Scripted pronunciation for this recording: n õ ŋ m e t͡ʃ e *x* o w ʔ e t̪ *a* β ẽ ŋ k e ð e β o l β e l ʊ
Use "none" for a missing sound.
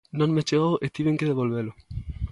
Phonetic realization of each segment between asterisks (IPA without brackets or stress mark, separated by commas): ɣ, i